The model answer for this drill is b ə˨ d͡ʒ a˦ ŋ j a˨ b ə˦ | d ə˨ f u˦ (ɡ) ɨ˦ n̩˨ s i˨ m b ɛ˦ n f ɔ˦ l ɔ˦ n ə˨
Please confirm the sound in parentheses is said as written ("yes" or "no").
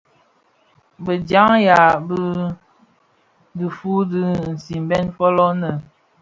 no